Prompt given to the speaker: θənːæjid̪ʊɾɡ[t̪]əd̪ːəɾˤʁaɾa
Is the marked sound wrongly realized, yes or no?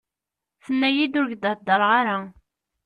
yes